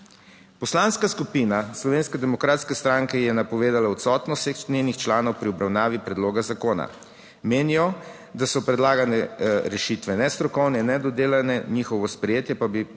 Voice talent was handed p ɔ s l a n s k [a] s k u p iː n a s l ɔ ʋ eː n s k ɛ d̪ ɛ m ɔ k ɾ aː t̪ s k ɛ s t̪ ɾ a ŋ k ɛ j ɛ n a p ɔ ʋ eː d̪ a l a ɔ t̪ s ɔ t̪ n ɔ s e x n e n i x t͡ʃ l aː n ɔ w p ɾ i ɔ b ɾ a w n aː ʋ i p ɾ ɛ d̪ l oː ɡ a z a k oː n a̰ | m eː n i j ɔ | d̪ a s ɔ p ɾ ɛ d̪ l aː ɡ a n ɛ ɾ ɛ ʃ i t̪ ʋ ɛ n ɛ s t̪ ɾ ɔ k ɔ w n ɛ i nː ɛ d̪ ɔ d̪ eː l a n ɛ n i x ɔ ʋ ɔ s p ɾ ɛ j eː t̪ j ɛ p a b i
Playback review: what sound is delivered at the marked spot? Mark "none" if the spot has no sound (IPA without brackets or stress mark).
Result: a